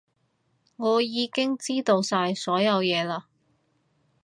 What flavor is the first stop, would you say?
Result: plain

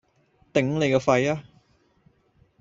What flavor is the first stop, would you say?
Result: plain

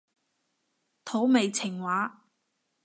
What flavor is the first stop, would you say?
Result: aspirated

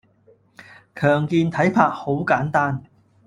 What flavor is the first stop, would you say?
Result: aspirated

